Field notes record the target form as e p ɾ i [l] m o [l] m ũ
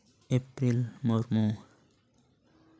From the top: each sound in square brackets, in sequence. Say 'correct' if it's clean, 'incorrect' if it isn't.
correct, incorrect: ɾ

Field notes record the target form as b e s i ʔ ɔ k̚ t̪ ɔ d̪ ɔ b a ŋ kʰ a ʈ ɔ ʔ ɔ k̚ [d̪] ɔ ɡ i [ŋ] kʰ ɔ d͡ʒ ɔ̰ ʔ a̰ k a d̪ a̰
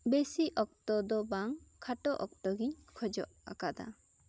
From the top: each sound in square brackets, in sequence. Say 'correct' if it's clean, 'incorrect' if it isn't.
incorrect: t̪, incorrect: ɲ

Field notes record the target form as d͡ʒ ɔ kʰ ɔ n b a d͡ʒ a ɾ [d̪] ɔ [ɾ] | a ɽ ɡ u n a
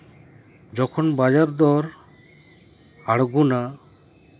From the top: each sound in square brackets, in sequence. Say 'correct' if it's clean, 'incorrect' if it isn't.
correct, correct

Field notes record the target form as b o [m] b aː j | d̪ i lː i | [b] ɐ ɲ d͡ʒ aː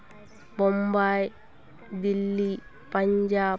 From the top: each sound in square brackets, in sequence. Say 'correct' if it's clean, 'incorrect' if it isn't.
correct, incorrect: p

